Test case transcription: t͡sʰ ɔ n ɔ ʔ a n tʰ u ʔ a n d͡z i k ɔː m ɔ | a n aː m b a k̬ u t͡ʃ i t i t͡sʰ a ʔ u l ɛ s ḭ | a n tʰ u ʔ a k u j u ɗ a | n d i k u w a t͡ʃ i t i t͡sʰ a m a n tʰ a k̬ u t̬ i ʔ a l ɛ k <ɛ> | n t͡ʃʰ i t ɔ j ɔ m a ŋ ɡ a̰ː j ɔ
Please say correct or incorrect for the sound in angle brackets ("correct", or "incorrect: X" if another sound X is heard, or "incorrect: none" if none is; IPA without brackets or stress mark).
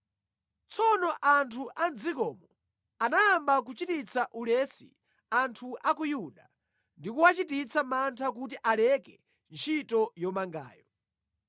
correct